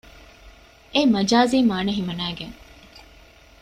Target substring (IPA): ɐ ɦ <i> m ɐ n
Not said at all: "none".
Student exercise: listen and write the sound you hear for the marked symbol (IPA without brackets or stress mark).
i